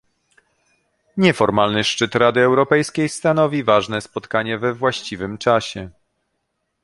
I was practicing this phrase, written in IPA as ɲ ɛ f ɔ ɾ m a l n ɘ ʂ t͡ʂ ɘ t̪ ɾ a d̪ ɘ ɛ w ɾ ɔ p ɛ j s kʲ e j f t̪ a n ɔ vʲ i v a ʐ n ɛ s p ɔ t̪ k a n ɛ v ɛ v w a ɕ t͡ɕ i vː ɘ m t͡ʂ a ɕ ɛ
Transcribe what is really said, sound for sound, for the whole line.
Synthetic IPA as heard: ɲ ɛ f ɔ ɾ m a l n ɘ ʂ t͡ʂ ɘ t̪ ɾ a d̪ ɘ ɛ w ɾ ɔ p ɛ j s kʲ e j s t̪ a n ɔ vʲ i v a ʐ n ɛ s p ɔ t̪ k a ɲ ɛ v ɛ v w a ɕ t͡ɕ i v ɘ m t͡ʂ a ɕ ɛ